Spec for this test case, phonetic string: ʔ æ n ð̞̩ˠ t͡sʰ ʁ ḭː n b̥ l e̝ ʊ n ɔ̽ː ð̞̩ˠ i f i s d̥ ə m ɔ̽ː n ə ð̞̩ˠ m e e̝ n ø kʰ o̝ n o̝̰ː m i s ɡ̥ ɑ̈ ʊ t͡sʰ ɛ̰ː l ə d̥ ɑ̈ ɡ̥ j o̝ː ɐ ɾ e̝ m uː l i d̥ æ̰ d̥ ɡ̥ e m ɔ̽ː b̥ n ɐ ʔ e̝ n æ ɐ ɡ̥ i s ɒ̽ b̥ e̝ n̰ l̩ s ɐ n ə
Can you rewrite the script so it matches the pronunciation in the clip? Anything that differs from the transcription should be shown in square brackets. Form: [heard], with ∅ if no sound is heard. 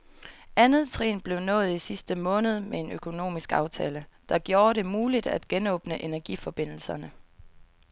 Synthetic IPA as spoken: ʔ æ n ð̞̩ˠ t͡sʰ ʁ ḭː n b̥ l e̝ ʊ n ɔ̽ː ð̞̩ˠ i [s] i s d̥ ə m ɔ̽ː n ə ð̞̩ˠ m e e̝ n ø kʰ o̝ n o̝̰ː m i s ɡ̥ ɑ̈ ʊ t͡sʰ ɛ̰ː l ə d̥ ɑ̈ ɡ̥ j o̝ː ɐ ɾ e̝ m uː l i d̥ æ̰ d̥ ɡ̥ e [n] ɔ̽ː b̥ n [ə] ʔ e̝ n æ ɐ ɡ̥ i [f] ɒ̽ b̥ e̝ n̰ l̩ s ɐ n ə